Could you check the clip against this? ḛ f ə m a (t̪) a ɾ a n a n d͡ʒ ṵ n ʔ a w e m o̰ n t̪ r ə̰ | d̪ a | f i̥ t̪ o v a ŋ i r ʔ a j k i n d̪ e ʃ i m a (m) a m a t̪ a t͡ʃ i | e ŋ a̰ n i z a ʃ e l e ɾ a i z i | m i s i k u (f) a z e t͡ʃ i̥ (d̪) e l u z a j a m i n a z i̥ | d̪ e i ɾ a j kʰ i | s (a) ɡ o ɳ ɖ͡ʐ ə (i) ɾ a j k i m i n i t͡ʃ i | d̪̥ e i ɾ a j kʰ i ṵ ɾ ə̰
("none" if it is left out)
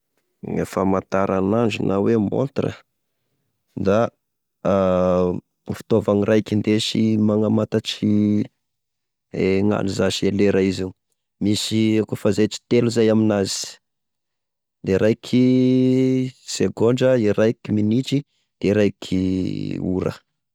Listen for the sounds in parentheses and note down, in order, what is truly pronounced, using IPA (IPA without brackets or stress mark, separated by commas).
t̪, ŋ, f, t̪, e, i